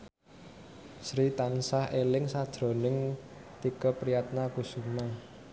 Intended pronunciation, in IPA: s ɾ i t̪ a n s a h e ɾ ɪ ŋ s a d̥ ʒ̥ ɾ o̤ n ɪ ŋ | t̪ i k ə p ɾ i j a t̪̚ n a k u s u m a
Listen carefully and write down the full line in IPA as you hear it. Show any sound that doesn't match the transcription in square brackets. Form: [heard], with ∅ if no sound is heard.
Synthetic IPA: s ɾ i t̪ a n s a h e [l] ɪ ŋ s a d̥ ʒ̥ ɾ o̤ n ɪ ŋ | t̪ i k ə p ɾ i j a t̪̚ n a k u s u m a